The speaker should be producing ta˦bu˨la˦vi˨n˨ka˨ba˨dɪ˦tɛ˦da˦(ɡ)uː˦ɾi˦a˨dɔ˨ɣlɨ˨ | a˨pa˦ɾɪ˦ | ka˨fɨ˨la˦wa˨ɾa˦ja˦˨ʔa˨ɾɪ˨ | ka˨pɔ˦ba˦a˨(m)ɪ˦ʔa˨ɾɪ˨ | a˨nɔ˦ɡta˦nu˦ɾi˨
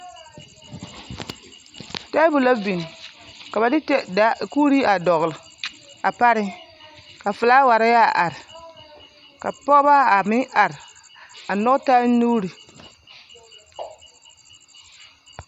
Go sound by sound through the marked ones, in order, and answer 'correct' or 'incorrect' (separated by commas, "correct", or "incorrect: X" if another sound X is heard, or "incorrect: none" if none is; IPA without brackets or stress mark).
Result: incorrect: k, correct